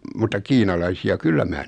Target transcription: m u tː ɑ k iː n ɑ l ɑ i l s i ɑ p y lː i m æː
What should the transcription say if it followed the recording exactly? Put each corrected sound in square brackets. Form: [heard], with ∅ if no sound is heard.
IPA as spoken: m u tː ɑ k iː n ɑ l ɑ i [∅] s i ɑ [k] y lː [æ] m æː